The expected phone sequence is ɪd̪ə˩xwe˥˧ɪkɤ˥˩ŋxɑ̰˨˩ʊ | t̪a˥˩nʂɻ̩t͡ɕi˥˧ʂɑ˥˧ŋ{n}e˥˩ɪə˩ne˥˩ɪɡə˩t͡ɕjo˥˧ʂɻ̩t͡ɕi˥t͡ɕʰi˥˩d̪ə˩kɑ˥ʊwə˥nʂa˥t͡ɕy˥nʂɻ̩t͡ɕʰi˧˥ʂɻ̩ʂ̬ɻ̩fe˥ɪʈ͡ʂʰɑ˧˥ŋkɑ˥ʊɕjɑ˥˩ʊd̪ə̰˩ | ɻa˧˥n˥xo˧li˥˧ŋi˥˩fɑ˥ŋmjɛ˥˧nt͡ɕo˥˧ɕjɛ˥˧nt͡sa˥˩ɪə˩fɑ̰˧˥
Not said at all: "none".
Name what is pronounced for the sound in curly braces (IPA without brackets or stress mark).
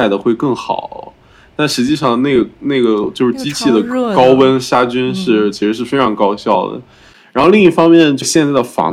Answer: n